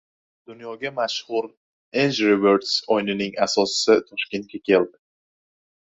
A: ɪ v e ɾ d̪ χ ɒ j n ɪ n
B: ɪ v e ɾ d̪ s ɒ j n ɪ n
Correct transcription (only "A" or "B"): B